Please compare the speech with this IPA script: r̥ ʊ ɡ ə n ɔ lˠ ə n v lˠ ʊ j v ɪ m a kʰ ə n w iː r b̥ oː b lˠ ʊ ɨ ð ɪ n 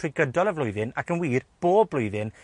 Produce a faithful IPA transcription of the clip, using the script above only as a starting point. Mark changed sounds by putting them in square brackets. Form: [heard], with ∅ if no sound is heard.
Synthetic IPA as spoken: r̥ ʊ ɡ ə [d] ɔ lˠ ə [∅] v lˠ ʊ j [ð] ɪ [n] a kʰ ə n w iː r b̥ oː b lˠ ʊ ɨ ð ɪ n